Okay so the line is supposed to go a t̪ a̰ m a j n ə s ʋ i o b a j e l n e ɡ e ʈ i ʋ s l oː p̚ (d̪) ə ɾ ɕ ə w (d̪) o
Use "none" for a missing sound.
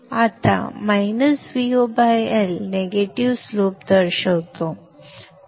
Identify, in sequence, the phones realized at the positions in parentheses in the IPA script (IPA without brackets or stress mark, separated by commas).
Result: d̪, t̪